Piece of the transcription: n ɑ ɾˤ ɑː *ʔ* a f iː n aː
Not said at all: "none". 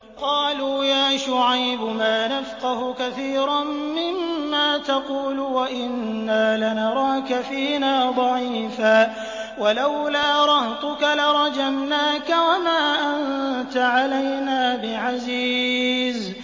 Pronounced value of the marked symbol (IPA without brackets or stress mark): k